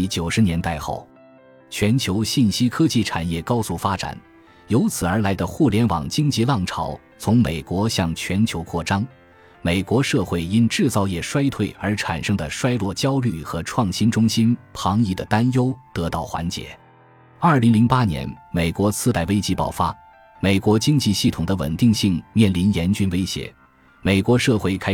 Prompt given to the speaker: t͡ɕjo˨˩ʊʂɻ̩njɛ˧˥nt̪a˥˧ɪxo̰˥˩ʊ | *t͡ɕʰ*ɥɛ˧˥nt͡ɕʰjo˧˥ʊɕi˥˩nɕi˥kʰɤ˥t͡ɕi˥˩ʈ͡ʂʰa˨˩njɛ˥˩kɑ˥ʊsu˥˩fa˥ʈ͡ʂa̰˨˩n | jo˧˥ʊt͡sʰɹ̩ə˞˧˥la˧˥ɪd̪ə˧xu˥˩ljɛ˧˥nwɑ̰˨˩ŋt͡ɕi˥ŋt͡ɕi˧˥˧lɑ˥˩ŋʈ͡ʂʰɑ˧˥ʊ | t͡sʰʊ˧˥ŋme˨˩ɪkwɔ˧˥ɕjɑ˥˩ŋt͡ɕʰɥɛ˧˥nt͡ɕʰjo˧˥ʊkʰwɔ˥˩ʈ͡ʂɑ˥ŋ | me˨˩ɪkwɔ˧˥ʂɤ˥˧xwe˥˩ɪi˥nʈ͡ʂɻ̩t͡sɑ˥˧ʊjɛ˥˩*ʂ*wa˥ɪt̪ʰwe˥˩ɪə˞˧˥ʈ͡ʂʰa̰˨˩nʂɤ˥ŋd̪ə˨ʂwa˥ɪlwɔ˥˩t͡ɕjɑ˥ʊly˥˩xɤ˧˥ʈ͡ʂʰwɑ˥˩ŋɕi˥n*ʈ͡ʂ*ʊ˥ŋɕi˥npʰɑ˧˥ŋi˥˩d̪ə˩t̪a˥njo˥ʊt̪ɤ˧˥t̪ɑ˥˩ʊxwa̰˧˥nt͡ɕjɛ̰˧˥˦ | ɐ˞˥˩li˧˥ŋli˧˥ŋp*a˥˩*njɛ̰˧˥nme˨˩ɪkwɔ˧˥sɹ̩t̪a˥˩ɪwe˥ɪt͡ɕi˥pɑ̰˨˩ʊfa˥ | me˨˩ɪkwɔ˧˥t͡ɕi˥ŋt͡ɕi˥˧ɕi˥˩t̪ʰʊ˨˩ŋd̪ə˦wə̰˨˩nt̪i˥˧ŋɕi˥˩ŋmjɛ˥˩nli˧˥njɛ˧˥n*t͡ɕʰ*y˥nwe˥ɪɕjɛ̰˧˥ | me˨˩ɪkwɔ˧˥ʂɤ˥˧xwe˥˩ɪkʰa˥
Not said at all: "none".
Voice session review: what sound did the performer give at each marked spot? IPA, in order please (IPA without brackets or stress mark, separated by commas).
t͡ɕʰ, ʂ, ʈ͡ʂ, a˥, t͡ɕ